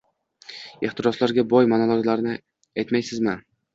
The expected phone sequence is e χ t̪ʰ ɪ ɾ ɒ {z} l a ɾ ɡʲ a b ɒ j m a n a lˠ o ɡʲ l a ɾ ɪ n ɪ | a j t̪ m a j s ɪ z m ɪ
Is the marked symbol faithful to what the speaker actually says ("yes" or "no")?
no